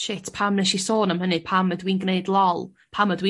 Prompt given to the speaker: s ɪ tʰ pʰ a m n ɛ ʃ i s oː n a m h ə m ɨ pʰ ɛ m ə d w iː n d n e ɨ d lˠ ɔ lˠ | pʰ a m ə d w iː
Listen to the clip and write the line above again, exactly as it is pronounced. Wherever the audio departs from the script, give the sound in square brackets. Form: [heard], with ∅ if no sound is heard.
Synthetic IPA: [ʃ] ɪ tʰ pʰ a m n ɛ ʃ i s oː n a m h ə [n] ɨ pʰ [a] m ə d w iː n [ɡ] n e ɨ d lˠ ɔ lˠ | pʰ a m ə d w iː